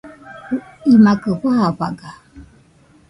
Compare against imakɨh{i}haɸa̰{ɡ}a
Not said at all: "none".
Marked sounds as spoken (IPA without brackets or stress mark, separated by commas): a, ɡ